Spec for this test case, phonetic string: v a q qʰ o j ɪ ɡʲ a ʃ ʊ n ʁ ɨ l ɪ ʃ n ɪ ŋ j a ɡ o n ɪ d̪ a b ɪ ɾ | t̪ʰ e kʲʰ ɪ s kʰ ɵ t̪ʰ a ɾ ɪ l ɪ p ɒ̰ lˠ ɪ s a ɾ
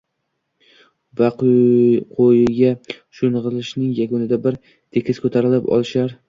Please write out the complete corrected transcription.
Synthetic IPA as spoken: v a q qʰ o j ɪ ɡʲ a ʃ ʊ n ʁ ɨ l ɪ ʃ n ɪ ŋ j a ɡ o n ɪ d̪ a b ɪ ɾ | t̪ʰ e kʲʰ ɪ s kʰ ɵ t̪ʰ a ɾ ɪ l ɪ p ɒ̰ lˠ ɪ ʃ a ɾ